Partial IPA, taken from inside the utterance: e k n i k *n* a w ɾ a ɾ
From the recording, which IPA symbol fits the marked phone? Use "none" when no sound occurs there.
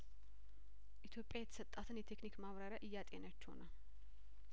m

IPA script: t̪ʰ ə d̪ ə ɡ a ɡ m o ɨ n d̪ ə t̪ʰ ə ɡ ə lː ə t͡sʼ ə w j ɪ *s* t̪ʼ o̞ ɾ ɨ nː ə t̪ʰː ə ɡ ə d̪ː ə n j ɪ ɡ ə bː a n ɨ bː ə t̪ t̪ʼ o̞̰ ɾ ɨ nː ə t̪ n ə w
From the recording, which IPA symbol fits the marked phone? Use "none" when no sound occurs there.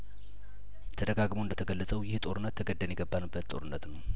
h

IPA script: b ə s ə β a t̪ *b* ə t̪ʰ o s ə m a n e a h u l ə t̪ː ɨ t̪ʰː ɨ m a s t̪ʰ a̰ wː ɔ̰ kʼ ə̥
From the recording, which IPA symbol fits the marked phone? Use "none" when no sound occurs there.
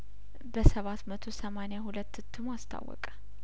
m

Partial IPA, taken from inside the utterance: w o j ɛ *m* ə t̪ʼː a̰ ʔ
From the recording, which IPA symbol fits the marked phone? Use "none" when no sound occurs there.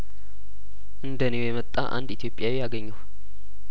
m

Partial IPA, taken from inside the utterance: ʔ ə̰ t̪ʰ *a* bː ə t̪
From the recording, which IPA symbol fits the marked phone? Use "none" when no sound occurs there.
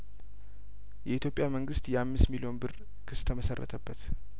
ə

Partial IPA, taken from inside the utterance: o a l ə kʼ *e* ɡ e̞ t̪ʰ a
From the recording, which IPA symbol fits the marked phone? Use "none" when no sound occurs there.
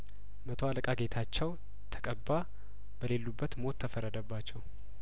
a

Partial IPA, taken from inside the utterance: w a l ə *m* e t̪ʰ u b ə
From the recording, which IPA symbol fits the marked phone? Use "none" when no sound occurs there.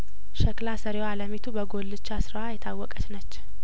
m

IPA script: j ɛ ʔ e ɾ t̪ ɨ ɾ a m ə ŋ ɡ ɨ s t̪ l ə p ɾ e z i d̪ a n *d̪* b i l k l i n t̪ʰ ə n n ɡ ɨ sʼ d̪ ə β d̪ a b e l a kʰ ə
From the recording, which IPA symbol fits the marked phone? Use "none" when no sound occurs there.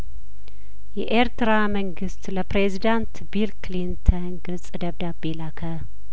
t̪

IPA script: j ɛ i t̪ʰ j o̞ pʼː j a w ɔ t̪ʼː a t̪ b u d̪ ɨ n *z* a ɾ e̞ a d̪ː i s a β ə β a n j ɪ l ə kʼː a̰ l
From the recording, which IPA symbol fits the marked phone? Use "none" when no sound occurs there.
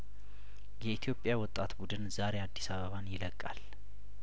z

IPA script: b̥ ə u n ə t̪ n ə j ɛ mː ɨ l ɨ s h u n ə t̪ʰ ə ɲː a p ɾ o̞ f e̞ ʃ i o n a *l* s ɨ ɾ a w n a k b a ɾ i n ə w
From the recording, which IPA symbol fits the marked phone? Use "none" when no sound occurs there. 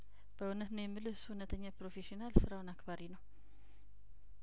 l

